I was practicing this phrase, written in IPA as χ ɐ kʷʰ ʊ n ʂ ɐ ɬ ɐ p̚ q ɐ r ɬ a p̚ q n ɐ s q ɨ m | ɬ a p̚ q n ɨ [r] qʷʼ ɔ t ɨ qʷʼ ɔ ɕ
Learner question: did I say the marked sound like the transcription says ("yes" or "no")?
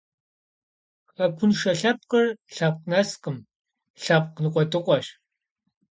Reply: no